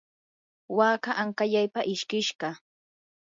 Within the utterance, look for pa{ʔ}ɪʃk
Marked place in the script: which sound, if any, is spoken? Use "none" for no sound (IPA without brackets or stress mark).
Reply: ʔ